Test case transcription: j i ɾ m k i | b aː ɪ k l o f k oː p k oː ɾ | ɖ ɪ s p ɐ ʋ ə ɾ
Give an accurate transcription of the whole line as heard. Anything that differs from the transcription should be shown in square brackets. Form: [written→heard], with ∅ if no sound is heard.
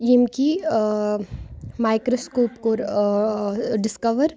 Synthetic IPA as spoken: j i [ɾ→∅] m k i | [b→m] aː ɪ k [l→ɾ] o [f→s] k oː p k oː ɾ | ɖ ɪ s [p→k] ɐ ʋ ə ɾ